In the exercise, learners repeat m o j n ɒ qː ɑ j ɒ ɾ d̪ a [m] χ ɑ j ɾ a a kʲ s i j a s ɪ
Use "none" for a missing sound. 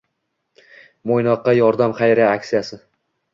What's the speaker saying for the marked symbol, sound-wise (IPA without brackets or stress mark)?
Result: m